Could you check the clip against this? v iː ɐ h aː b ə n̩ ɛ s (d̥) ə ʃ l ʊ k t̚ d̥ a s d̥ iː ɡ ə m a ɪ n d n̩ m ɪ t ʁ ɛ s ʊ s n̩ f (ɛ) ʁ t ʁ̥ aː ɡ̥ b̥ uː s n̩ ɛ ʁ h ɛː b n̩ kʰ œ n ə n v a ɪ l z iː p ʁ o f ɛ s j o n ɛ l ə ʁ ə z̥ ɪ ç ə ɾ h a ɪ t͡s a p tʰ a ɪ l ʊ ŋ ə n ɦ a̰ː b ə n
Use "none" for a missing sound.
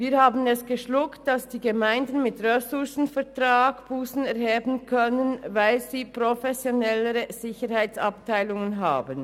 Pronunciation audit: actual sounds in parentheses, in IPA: ɡ̥, ɛ

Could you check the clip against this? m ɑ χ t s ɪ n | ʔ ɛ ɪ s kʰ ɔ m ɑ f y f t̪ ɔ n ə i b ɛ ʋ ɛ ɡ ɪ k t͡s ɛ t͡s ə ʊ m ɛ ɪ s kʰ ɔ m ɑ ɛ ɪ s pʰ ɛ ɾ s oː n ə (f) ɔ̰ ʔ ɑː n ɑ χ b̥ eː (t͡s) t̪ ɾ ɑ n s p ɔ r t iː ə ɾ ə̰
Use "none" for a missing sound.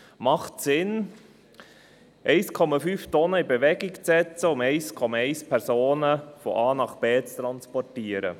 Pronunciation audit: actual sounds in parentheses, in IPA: f, t͡s

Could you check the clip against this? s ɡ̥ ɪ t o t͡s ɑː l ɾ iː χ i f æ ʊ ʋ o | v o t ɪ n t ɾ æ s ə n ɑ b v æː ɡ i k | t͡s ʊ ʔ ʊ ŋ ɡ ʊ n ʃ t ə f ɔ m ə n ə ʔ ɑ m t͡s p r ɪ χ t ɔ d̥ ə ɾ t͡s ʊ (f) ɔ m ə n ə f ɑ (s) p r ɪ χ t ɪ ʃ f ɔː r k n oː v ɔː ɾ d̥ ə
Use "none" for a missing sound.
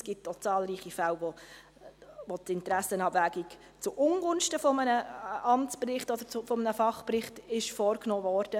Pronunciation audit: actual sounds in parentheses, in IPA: f, χ

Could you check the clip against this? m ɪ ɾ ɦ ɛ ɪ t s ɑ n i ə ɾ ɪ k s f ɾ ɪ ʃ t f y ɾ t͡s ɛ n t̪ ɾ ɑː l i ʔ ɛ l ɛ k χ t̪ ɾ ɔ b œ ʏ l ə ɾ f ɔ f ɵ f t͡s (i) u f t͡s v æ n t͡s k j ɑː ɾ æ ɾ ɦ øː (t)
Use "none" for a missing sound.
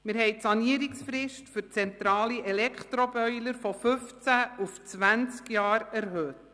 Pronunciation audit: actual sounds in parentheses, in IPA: æ, t

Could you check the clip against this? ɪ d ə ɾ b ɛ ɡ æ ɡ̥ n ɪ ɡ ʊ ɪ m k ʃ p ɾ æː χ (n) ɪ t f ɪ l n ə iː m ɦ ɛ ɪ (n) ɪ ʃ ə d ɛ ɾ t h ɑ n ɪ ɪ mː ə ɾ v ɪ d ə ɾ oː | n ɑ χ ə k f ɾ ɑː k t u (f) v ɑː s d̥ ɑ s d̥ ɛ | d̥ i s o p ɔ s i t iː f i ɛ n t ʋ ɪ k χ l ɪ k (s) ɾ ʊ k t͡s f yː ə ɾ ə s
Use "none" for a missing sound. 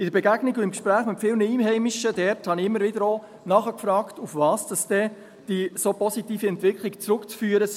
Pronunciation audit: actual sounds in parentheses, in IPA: m, m, f, t͡s

